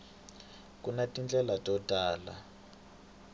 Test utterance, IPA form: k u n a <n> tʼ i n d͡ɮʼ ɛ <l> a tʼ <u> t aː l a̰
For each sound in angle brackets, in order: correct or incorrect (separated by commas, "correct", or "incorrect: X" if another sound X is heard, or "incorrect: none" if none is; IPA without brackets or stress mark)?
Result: incorrect: none, correct, incorrect: ɔ